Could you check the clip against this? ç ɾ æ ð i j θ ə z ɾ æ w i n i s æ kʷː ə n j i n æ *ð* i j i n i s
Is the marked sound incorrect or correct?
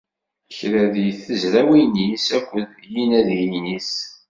correct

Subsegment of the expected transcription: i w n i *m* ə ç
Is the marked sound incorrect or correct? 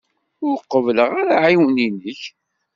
incorrect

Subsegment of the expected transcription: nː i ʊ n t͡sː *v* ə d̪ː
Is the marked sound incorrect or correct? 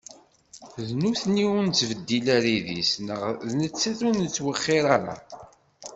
correct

